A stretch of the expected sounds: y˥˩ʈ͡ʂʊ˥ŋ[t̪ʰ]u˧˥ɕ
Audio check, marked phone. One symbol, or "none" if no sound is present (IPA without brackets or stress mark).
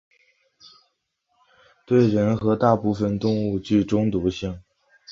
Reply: t̪